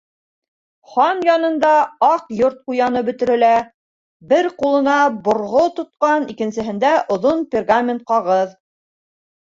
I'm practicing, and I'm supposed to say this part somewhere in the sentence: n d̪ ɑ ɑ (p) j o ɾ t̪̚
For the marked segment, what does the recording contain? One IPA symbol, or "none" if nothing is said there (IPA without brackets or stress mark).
q